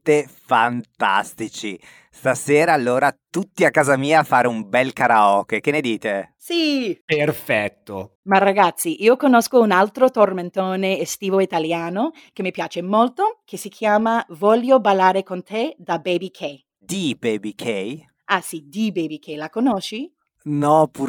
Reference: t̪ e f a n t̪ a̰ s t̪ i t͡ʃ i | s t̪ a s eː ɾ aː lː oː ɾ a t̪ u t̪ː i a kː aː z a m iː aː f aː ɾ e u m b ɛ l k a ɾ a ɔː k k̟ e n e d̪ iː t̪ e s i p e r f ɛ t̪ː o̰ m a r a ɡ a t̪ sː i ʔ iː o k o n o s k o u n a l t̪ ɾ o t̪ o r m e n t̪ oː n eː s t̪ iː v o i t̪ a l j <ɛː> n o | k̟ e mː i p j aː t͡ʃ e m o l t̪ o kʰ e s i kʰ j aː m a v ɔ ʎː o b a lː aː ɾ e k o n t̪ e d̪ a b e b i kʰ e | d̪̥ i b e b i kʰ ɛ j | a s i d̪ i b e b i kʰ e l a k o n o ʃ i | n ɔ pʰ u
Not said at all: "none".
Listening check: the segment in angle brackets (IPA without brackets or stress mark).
aː